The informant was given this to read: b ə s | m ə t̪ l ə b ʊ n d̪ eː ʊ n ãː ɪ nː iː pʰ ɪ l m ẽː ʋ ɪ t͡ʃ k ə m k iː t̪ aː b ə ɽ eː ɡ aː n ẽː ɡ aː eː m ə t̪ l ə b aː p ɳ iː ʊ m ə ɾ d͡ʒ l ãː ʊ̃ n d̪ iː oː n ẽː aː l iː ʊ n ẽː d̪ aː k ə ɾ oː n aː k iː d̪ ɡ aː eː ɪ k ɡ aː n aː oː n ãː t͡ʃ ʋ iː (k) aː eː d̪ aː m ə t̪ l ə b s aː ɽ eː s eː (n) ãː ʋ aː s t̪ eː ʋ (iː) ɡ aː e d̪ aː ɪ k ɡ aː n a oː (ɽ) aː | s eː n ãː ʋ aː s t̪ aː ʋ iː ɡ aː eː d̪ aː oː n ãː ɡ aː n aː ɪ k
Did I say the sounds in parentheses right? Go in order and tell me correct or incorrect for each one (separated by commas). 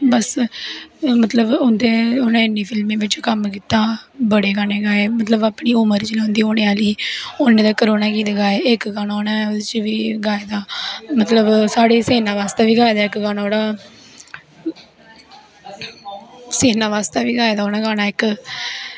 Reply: incorrect, correct, correct, correct